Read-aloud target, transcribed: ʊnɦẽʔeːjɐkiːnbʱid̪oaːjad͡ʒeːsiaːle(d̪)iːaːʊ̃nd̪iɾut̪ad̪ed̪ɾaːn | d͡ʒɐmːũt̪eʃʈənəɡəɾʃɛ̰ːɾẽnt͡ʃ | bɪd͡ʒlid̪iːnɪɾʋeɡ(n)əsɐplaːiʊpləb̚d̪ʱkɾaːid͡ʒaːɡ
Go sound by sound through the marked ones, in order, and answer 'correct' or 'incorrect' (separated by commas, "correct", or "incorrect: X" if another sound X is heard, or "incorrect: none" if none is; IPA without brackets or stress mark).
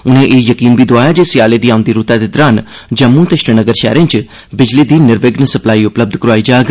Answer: correct, correct